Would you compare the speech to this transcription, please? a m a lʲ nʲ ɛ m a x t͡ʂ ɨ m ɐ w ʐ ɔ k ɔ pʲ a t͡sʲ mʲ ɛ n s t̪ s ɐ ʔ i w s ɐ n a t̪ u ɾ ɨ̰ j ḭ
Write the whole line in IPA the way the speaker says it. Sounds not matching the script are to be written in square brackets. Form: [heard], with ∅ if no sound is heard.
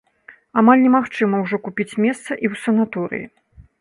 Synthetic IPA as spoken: a m a lʲ nʲ ɛ m a x t͡ʂ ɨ m ɐ w ʐ ɔ k [u] pʲ [i] t͡sʲ mʲ ɛ [∅] s t̪ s ɐ ʔ i w s ɐ n a t̪ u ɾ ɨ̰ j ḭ